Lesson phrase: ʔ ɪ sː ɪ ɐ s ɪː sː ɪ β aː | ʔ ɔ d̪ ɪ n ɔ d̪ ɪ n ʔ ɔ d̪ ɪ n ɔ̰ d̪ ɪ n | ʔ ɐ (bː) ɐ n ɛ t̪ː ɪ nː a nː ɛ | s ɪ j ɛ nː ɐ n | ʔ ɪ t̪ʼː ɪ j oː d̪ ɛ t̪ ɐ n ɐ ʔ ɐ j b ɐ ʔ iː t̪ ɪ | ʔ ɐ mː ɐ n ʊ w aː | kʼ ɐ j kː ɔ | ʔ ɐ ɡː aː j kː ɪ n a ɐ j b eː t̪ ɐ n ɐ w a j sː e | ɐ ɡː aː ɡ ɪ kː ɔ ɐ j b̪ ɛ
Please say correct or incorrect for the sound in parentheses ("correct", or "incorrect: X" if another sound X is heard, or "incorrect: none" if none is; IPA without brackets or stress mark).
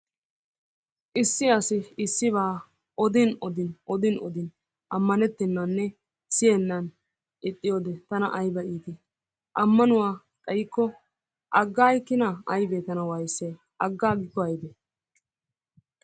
incorrect: mː